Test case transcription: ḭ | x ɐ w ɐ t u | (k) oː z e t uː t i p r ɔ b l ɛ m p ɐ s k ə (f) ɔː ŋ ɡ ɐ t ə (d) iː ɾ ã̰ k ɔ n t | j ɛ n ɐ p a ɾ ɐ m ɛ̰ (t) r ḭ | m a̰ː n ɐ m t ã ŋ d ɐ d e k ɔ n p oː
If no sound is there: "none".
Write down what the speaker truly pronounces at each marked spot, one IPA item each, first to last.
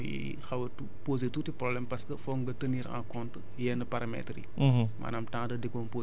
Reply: p, f, n, t

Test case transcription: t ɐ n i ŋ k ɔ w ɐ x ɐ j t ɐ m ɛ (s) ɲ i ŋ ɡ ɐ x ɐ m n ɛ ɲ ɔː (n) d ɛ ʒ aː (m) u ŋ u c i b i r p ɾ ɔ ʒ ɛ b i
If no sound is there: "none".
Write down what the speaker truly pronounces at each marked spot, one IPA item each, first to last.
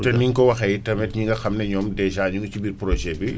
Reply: t, m, ɲ

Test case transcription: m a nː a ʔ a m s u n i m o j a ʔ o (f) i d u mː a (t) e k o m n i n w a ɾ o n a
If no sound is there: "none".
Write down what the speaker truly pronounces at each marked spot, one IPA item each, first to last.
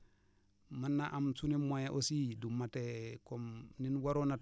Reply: s, t

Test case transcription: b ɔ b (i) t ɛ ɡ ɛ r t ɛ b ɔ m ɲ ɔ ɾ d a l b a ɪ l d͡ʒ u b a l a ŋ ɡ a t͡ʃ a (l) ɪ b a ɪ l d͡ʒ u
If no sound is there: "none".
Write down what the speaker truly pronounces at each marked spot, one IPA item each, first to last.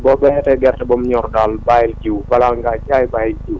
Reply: ɛ, none

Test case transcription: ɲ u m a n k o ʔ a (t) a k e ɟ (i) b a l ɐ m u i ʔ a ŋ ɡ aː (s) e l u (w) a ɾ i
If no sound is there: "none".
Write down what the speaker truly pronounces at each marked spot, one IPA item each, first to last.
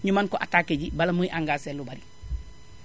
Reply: t, i, s, b

